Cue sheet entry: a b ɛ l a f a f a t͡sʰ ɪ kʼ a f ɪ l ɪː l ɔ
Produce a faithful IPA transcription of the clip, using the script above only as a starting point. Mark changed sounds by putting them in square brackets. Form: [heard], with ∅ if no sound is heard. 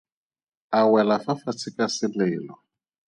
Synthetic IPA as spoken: a [w] ɛ l a f a f a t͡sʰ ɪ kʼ a [s] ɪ l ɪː l ɔ

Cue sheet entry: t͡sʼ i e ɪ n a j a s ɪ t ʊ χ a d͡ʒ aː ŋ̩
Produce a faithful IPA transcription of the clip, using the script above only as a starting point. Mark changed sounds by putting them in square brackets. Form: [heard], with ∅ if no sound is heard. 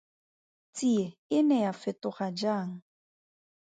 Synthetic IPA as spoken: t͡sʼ i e ɪ n [ɛ] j a [f] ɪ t ʊ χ a d͡ʒ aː ŋ̩

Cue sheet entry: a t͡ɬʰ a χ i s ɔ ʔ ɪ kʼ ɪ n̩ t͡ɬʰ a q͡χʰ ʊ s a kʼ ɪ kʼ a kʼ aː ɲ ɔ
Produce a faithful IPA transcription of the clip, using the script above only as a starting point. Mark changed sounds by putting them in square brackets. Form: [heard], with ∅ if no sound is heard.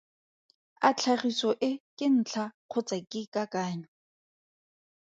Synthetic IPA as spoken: a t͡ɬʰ a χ i s ɔ ʔ ɪ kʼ ɪ n̩ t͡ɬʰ a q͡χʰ ʊ [t͡s] a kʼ ɪ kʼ a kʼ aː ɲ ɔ

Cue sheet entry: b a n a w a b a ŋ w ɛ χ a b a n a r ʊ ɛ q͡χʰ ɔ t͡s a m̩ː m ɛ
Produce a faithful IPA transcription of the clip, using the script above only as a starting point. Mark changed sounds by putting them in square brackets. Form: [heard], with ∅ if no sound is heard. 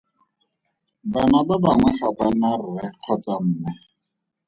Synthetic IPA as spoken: b a n a [b] a b a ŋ w ɛ χ a b a n a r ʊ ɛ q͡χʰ ɔ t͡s a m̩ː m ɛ

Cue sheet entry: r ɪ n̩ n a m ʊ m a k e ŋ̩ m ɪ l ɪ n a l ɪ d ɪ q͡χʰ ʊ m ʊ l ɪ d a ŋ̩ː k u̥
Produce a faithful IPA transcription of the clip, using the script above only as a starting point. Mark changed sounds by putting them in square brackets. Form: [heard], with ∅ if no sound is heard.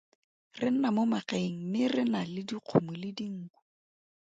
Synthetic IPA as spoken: r ɪ n̩ n a m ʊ m a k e ŋ̩ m ɪ [r] ɪ n a l ɪ d [i] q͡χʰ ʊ m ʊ l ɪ d [i] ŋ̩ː k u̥

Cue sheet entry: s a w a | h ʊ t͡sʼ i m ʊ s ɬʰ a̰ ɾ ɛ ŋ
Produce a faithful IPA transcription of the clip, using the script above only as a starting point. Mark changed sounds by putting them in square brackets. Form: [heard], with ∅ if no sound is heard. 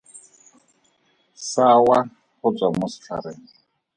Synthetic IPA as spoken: s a w a | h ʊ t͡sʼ [a] m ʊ s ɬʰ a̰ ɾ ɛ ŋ

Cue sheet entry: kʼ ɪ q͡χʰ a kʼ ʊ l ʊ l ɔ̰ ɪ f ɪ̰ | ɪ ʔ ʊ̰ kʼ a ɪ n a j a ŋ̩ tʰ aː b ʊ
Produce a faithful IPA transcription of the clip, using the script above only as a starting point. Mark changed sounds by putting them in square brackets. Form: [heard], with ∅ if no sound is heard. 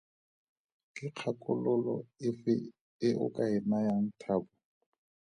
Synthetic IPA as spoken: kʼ ɪ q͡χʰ a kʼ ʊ l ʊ l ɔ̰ ɪ f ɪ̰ | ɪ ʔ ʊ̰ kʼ a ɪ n a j a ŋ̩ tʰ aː b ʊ

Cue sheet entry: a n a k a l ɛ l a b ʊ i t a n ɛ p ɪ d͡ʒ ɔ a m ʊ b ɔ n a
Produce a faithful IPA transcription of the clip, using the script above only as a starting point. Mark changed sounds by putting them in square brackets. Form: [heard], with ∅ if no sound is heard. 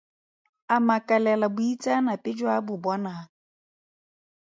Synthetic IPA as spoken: a [m] a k a l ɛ l a b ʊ i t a n [a] p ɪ d͡ʒ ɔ a [b] ʊ b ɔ n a

